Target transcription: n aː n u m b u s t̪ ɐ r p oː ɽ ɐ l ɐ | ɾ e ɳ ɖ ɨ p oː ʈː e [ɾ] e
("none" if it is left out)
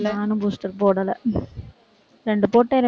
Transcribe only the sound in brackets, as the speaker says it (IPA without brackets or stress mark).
ɾ